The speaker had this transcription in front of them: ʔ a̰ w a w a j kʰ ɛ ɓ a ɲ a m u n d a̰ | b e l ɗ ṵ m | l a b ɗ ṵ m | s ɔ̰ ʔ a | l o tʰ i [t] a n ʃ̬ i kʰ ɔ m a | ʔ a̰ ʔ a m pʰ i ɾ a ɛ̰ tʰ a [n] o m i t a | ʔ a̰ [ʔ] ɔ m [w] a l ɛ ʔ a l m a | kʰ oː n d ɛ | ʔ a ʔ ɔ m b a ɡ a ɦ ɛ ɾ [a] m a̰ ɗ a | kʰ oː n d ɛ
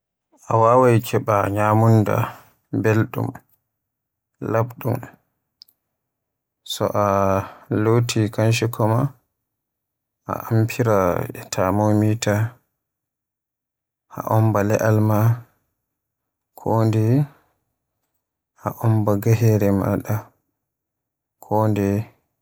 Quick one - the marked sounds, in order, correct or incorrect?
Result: incorrect: k, incorrect: m, correct, incorrect: b, incorrect: ɛ

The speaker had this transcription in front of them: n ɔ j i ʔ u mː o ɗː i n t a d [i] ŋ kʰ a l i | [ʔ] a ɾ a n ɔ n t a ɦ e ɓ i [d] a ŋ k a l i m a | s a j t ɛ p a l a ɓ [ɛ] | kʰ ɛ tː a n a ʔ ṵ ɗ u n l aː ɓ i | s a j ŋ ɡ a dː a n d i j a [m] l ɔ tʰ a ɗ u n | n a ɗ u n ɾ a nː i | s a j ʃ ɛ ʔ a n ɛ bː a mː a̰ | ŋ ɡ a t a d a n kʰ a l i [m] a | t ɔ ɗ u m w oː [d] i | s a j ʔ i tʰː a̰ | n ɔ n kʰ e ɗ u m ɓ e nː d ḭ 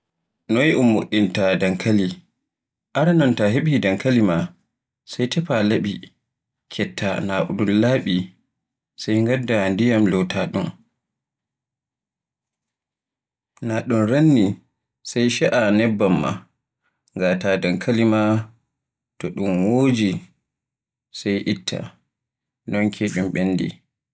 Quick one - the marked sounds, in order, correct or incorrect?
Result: incorrect: a, correct, correct, incorrect: i, correct, correct, incorrect: d͡ʒ

